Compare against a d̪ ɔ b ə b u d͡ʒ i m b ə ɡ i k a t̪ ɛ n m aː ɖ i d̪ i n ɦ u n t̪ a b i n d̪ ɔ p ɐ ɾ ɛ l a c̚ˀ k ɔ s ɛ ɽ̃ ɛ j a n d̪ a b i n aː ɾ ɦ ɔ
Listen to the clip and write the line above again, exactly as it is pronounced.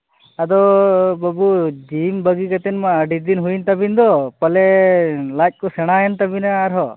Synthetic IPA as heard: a d̪ ɔ b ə b u d͡ʒ i m b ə ɡ i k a t̪ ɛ n m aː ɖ i d̪ i n ɦ u n t̪ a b i n d̪ ɔ p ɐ l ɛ l a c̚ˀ k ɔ s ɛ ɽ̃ a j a n t̪ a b i n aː ɾ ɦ ɔ

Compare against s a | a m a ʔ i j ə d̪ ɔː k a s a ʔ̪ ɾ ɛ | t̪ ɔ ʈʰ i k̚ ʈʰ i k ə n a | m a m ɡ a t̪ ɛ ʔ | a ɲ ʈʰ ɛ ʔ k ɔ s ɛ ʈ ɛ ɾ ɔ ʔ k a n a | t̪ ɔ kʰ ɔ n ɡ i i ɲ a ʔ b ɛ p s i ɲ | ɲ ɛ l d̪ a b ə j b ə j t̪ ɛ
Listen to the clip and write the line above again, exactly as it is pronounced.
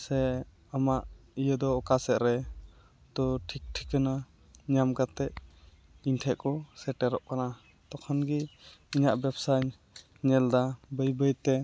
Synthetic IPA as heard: s ɛ | a m a ʔ i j ə d̪ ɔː k a s ɛ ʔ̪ ɾ ɛ | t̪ ɔ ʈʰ i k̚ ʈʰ i k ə n a | ɲ a m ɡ a t̪ ɛ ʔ | i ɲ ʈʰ ɛ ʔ k ɔ s ɛ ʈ ɛ ɾ ɔ ʔ k a n a | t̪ ɔ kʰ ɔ n ɡ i i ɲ a ʔ b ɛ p s a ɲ | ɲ ɛ l d̪ a b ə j b ə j t̪ ɛ

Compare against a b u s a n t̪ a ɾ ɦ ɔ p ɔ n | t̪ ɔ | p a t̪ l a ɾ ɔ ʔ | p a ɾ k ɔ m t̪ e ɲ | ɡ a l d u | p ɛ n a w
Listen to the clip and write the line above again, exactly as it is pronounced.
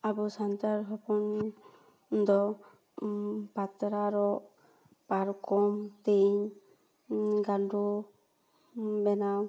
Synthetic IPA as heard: a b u s a n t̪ a ɾ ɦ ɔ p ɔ n | d̪ ɔ | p a t̪ ɾ a ɾ ɔ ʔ | p a ɾ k ɔ m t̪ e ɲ | ɡ a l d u | b ɛ n a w

